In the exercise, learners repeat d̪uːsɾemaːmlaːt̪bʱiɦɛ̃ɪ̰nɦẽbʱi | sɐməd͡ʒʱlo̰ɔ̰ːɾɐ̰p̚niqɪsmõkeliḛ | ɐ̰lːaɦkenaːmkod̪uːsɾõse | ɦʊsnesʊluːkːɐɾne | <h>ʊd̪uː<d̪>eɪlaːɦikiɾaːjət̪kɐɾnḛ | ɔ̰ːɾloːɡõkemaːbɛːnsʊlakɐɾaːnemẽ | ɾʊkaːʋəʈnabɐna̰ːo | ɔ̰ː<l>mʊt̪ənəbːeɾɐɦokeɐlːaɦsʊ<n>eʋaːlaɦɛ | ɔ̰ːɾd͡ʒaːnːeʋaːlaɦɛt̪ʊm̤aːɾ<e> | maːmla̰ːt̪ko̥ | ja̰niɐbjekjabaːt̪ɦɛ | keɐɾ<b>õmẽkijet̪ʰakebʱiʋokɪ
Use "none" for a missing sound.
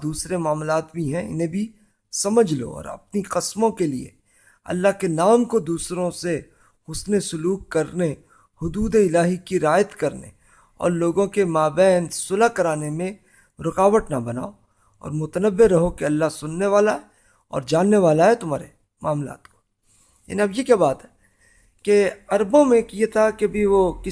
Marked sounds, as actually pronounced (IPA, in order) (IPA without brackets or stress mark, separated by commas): h, d̪, ɾ, nː, e, b